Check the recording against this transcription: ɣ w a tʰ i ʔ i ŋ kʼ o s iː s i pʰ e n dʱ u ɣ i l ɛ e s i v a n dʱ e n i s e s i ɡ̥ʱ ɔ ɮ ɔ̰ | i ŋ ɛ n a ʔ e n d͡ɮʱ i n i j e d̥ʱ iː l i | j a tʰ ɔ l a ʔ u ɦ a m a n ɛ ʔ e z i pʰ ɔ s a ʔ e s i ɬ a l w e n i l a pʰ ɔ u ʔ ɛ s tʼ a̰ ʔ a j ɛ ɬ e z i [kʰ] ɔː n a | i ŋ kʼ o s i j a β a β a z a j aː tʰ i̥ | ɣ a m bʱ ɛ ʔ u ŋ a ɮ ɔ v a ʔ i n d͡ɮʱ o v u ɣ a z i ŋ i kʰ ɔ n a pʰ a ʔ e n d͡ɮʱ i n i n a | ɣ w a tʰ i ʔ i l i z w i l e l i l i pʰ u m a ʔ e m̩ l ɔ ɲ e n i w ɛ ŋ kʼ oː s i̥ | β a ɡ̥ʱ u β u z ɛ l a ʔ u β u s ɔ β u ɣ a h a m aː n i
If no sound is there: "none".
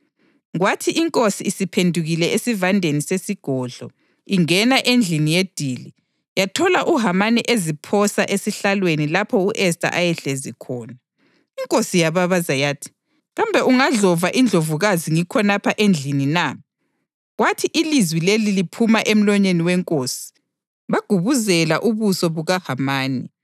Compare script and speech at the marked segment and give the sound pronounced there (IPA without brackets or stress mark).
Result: kʰ